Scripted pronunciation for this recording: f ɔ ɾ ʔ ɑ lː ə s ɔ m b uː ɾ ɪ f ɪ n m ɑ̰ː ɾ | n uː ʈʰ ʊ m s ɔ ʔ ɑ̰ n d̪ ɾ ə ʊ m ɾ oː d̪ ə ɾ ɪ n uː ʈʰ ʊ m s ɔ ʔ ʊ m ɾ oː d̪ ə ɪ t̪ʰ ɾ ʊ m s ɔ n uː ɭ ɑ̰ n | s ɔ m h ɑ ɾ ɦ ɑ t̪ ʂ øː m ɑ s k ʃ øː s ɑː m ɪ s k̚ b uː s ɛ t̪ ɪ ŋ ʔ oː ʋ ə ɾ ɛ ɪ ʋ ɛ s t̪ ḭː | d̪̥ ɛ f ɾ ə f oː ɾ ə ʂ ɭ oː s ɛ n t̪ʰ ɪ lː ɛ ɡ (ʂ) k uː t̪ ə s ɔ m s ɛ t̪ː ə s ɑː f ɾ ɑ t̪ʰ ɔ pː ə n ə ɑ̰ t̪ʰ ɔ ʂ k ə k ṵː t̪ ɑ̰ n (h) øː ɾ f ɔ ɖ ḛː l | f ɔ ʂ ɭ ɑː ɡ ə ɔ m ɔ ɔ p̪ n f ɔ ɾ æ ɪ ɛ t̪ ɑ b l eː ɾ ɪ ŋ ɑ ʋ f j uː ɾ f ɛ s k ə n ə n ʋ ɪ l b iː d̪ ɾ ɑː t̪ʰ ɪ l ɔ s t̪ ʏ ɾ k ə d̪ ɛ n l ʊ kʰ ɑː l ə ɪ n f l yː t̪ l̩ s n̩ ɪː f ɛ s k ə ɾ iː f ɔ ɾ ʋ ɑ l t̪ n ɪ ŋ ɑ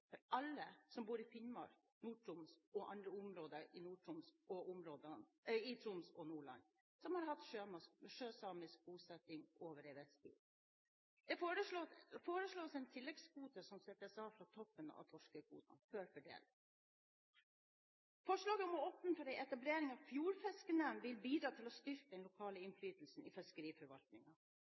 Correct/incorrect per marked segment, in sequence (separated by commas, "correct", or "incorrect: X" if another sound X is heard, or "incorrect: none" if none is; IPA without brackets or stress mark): incorrect: s, incorrect: f